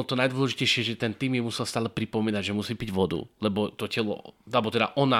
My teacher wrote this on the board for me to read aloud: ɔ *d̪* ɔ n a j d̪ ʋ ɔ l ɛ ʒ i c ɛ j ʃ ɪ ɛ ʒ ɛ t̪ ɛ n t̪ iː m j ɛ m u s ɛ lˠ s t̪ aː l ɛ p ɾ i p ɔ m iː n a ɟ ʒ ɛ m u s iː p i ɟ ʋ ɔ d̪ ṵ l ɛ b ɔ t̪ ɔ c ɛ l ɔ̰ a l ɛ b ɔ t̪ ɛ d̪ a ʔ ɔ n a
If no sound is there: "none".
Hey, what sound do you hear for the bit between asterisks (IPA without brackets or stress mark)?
t̪